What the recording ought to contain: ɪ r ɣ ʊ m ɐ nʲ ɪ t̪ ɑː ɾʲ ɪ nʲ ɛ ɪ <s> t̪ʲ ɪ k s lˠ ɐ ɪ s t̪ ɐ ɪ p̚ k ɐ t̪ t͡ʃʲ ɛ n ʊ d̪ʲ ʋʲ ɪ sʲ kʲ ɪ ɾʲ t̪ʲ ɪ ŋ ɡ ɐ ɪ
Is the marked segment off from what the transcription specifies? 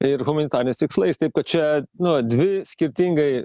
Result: no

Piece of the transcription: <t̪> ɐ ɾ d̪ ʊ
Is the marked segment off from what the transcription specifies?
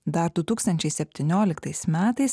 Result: yes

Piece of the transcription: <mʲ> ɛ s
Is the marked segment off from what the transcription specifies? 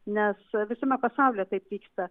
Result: yes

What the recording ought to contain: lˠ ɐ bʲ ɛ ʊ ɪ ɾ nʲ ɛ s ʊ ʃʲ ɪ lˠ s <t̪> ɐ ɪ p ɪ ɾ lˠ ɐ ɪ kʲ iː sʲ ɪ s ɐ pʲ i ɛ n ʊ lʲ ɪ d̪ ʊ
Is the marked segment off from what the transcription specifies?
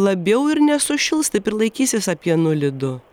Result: no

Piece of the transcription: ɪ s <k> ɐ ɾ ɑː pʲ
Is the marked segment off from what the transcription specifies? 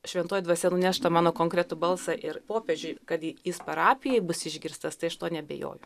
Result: yes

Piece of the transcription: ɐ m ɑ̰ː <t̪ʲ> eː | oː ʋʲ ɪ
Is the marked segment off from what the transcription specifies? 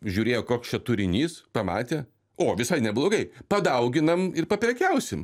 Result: no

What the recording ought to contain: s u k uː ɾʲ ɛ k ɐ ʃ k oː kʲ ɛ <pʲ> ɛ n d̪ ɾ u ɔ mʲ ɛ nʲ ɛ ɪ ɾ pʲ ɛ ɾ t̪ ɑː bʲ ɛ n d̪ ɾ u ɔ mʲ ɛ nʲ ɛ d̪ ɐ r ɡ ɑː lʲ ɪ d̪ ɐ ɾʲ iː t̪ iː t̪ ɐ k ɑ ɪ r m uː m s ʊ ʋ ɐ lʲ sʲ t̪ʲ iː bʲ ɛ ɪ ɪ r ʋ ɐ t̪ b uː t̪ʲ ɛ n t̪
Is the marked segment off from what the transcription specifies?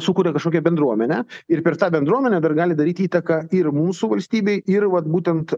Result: yes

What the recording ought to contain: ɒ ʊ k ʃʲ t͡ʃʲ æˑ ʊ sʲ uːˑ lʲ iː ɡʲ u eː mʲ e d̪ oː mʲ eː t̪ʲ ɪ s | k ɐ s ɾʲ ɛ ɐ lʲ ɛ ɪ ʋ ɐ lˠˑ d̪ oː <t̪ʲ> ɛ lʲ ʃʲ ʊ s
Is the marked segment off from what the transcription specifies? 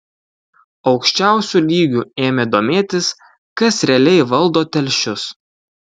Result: no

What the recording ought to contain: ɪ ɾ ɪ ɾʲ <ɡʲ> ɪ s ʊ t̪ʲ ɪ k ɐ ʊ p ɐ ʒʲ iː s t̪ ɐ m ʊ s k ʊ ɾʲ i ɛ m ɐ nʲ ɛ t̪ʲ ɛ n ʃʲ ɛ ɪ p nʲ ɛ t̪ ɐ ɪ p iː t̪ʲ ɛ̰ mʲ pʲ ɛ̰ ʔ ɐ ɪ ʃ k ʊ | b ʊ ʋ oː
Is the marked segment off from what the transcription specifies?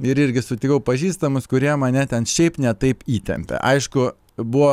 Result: no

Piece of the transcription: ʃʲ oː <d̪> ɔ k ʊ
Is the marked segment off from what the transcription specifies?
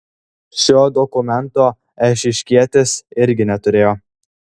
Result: no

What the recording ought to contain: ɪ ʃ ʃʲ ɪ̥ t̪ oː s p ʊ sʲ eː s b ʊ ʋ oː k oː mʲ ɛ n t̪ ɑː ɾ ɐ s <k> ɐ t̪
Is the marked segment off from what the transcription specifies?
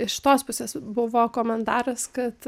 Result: no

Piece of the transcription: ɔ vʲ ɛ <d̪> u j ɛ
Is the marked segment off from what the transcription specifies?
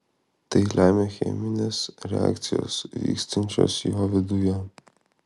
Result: no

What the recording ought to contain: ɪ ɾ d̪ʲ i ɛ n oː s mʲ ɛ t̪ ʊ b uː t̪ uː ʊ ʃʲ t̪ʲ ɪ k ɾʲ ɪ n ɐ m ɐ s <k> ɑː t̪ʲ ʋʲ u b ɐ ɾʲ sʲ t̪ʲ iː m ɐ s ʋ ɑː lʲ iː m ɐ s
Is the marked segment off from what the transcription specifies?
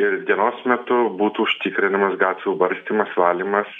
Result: yes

